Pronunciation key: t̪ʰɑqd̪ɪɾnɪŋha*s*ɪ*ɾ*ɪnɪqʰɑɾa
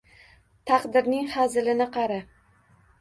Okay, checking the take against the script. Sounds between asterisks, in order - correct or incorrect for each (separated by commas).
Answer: incorrect, incorrect